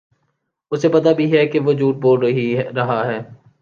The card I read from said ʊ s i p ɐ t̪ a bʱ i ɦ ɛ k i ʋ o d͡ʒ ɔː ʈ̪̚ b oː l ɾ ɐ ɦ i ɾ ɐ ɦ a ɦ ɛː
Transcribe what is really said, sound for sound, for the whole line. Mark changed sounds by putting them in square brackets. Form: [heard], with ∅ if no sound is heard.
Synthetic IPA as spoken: ʊ s [e] p ɐ t̪ a bʱ i ɦ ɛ k [e] ʋ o d͡ʒ [uː] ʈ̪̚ b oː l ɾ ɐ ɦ i ɾ ɐ ɦ a ɦ ɛː